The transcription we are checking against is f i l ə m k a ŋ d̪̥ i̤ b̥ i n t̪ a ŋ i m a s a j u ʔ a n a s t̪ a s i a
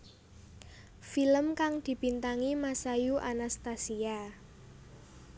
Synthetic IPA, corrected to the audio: f i l ə m k a ŋ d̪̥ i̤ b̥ i n t̪ a ŋ i m a s a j u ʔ a n a s t̪ a s i a